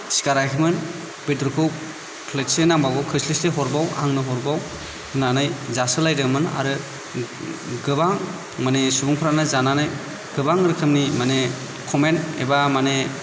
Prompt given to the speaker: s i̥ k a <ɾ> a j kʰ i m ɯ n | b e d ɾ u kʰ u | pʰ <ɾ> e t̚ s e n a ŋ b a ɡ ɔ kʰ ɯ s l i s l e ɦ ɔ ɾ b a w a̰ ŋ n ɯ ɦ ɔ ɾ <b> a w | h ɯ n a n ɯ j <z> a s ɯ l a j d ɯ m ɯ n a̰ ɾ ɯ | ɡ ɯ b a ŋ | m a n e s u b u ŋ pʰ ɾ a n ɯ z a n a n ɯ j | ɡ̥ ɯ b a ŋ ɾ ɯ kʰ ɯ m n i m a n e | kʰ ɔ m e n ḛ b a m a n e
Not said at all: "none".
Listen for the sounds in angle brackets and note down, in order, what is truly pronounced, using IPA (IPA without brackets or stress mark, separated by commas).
ɾ, l, b, z